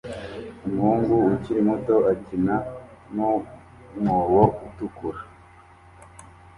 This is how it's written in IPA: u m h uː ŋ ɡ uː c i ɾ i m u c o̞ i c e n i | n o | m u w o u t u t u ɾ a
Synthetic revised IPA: u m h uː ŋ ɡ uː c i ɾ i m u t o̞ a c i n a | n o | m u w o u t u k u ɾ a